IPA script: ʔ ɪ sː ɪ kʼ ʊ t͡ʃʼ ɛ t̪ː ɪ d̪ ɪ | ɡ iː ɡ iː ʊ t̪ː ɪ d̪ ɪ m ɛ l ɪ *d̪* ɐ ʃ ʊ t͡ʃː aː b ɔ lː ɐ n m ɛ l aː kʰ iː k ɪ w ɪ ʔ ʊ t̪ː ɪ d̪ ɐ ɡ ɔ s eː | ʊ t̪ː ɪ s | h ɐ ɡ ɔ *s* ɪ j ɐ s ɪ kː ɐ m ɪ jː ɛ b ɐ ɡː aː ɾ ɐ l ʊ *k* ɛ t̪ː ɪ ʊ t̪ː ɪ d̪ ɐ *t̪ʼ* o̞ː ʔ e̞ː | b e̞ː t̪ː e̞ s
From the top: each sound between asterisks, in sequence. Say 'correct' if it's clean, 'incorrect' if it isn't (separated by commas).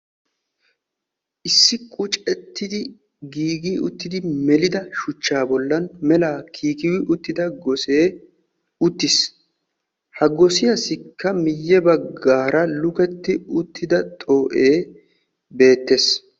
correct, correct, correct, correct